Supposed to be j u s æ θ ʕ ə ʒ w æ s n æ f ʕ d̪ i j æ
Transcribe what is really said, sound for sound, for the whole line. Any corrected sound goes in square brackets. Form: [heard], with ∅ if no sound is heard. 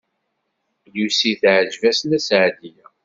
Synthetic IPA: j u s [i] θ ʕ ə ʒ [v] æ s n æ [s] ʕ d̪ i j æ